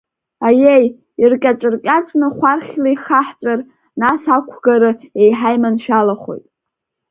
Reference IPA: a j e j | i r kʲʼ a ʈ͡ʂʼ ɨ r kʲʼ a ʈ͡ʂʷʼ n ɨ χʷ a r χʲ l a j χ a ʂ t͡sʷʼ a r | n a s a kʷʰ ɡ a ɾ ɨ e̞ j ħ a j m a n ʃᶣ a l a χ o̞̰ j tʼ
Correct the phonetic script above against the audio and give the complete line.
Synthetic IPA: a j e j | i r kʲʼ a ʈ͡ʂʼ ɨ r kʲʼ a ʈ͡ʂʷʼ n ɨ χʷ a r χʲ l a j χ a ħ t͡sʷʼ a r | n a s a kʷʰ ɡ a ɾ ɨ e̞ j ħ a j m a n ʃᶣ a l a χ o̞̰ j tʼ